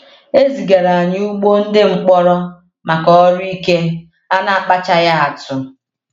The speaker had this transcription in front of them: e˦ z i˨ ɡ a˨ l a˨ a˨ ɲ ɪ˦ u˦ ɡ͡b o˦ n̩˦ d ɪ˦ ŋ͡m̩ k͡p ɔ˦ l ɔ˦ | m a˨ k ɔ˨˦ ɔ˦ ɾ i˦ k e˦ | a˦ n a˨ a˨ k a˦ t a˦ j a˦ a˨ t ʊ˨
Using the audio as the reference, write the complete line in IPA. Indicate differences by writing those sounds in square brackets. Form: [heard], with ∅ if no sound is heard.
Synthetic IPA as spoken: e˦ z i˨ ɡ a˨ [ɾ] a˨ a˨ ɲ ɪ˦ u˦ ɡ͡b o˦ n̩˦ d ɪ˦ ŋ͡m̩ k͡p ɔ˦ [ɾ] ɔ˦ | m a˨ k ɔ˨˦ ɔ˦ ɾ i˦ k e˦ | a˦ n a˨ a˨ [k͡p] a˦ [t͡ʃ] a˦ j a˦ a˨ t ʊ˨

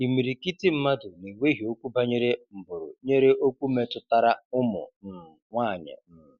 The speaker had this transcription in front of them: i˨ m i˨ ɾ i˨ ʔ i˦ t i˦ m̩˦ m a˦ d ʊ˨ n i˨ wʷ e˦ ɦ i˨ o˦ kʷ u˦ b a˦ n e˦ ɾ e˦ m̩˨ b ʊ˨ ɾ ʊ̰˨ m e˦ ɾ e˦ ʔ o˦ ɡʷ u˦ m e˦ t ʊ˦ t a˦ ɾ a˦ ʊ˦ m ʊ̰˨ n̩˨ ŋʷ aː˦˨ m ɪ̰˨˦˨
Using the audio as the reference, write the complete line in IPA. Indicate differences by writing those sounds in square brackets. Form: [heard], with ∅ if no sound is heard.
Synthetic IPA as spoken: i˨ m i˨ ɾ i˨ [k] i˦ t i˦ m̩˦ m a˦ d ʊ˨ n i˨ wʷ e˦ ɦ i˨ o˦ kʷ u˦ b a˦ [ɲ] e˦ ɾ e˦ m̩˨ b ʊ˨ ɾ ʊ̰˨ [ɲ] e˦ ɾ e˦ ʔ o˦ [kʷ] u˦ m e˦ t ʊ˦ t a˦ ɾ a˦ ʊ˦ m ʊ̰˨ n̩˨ ŋʷ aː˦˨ [ɲ] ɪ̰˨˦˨

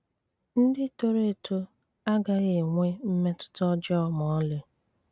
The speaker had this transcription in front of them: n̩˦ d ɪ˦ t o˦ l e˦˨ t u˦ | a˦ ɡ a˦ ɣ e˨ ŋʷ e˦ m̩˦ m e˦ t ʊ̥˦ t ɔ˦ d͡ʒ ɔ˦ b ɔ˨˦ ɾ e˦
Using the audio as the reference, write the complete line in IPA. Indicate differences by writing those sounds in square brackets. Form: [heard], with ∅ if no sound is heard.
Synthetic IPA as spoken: n̩˦ d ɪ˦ t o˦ [ɾ] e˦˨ t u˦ | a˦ ɡ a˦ ɣ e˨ ŋʷ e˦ m̩˦ m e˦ t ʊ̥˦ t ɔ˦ d͡ʒ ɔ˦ [m] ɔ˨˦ [l] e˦

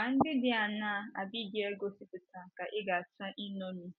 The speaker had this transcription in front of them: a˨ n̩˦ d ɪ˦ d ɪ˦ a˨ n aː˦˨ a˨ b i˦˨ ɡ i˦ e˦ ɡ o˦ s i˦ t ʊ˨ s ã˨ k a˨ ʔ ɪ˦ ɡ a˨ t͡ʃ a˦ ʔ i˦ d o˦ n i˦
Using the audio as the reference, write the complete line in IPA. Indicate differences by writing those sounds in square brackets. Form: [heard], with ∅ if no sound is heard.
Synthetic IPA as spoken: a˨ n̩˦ d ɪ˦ d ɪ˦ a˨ n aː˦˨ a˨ b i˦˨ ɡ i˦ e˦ ɡ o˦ s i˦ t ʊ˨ [t] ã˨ k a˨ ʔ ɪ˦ ɡ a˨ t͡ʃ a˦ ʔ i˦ [n] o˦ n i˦

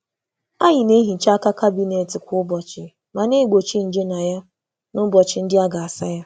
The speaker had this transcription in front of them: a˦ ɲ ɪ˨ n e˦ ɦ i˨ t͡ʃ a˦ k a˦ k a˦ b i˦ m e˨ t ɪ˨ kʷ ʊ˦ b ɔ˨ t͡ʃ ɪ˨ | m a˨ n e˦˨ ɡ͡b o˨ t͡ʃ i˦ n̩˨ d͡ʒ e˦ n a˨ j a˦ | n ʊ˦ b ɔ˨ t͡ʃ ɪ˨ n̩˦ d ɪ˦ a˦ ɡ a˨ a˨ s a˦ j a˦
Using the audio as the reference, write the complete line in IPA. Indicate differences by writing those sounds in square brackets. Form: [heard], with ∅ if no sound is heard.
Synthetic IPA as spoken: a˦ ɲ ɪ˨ n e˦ ɦ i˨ t͡ʃ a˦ k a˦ k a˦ b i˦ [n] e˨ t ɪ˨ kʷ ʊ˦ b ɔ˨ t͡ʃ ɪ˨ | m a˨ n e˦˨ ɡ͡b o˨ t͡ʃ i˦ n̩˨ d͡ʒ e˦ n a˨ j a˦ | n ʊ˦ b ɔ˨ t͡ʃ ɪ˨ n̩˦ d ɪ˦ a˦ ɡ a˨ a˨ s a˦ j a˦

